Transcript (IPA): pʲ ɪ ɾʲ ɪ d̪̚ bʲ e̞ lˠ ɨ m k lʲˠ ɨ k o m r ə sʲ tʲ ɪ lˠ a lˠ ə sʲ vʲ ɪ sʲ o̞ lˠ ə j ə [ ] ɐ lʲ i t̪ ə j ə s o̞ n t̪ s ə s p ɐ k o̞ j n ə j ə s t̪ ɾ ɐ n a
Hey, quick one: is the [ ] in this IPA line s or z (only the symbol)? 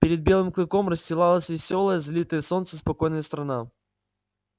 z